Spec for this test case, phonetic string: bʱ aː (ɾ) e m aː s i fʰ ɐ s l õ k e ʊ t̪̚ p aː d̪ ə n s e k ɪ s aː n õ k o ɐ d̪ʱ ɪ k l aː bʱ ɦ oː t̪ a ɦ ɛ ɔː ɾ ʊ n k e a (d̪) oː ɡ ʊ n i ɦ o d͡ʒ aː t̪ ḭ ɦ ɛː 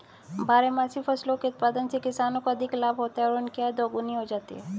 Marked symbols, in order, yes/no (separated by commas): yes, yes